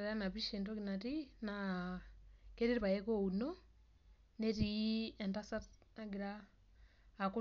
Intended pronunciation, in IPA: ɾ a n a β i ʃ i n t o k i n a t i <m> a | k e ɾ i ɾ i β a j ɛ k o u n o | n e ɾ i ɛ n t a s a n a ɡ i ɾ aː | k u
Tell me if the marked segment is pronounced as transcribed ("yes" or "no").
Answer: no